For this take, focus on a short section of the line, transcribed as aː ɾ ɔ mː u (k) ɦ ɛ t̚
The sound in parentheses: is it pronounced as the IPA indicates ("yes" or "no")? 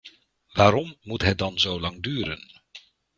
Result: no